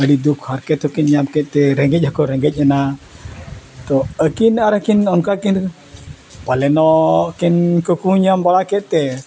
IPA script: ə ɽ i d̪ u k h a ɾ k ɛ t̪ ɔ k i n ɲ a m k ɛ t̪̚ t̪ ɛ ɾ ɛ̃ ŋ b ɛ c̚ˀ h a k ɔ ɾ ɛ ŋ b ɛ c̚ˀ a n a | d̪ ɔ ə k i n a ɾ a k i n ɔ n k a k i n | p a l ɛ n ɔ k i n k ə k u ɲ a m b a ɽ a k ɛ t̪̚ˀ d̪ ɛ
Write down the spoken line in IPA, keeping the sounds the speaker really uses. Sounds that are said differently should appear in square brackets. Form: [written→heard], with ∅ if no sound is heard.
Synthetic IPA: ə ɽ i d̪ u k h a ɾ k ɛ t̪ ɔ k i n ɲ a m k ɛ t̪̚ t̪ ɛ ɾ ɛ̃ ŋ [b→ɡ] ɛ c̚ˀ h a k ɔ ɾ ɛ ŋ [b→ɡ] ɛ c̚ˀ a n a | [d̪→t̪] ɔ ə k i n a ɾ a k i n ɔ n k a k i n | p a l ɛ n ɔ k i n k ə k u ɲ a m b a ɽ a k ɛ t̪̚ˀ [d̪→t̪] ɛ